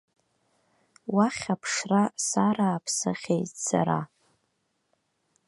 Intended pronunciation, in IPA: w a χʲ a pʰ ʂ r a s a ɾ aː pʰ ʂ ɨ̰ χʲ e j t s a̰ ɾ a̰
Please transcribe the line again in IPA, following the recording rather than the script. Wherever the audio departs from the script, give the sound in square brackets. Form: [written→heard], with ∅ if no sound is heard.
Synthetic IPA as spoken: w a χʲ a pʰ ʂ r a s a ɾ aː pʰ [ʂ→s] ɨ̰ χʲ e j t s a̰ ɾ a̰